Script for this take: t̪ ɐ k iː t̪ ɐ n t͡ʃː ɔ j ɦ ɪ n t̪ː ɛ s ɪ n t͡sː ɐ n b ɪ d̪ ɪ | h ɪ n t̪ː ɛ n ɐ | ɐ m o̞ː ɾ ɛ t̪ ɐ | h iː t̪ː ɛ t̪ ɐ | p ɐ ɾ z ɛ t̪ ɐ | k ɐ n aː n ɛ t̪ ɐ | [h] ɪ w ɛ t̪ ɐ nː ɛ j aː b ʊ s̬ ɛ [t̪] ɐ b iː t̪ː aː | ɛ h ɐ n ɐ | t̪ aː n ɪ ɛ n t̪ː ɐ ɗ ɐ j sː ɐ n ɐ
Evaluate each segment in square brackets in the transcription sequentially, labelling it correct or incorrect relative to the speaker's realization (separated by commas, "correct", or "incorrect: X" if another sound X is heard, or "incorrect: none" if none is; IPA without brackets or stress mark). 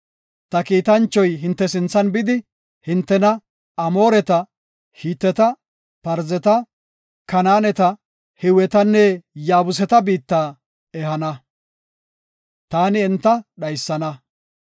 correct, correct